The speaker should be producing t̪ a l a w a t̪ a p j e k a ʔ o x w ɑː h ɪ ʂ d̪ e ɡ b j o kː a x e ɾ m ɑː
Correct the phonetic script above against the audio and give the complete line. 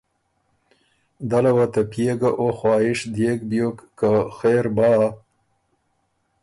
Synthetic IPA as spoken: d̪ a l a w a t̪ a p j e ɡ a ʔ o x w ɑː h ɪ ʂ d̪ e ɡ b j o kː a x e ɾ b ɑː